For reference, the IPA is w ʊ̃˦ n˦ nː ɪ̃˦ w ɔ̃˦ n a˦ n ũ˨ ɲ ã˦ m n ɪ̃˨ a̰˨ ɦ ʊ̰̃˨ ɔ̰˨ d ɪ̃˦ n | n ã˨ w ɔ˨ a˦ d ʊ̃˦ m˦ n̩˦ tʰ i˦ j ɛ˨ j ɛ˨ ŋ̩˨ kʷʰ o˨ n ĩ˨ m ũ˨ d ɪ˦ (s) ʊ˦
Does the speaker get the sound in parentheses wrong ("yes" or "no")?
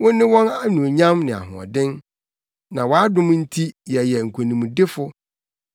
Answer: yes